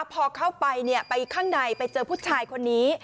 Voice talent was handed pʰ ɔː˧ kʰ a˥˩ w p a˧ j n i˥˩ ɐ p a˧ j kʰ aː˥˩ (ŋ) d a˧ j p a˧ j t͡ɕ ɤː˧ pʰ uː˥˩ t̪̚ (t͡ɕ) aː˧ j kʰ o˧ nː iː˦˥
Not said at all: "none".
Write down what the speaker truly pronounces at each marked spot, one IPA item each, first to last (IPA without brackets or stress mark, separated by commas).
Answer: ŋ, t͡ɕʰ